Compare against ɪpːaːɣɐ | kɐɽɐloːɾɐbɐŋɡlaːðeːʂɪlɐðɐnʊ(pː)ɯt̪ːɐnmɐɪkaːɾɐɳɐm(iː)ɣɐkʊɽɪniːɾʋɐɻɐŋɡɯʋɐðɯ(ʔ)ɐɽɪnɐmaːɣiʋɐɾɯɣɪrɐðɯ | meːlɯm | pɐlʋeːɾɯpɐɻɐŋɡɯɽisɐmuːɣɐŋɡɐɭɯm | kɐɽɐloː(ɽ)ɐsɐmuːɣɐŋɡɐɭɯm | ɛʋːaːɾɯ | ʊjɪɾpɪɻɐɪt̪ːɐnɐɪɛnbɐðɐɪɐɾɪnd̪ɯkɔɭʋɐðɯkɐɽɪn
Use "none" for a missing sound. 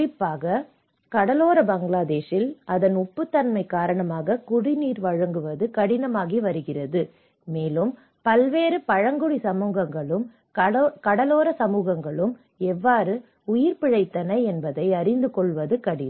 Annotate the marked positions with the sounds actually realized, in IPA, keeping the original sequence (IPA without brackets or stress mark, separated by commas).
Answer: pː, aː, k, ɾ